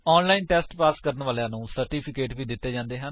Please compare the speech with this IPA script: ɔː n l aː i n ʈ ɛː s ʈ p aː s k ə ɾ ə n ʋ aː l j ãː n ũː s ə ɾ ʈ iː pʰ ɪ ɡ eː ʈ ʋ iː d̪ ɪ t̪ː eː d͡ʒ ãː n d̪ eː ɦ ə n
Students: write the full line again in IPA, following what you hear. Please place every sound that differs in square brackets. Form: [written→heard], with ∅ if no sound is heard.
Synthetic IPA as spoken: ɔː n l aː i n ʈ ɛː s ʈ p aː s k ə ɾ ə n ʋ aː l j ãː n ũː s ə ɾ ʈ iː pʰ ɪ [ɡ→k] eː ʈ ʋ iː d̪ ɪ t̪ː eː d͡ʒ ãː n d̪ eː ɦ ə n